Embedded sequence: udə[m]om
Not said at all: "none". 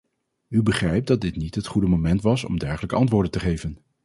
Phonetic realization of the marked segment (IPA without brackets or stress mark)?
m